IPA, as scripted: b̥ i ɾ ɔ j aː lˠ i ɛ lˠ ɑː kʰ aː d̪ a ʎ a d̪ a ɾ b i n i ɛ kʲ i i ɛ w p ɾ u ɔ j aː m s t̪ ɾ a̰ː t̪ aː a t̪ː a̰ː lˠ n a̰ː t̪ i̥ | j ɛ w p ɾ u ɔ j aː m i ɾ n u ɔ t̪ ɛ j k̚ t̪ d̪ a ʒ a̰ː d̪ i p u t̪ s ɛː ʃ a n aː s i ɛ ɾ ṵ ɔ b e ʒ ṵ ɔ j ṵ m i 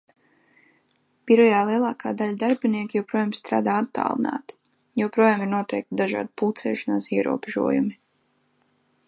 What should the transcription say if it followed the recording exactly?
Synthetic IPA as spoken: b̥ i ɾ ɔ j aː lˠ i ɛ lˠ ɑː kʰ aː d̪ a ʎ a d̪ a ɾ b i n i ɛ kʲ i j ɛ w p ɾ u ɔ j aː m s t̪ ɾ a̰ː d̪ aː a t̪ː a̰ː lˠ n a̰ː t̪ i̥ | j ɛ w p ɾ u ɔ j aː m i ɾ n u ɔ t̪ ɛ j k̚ t̪ d̪ a ʒ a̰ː d̪ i p u t̪ s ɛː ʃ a n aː s i ɛ ɾ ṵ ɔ b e ʒ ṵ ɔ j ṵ m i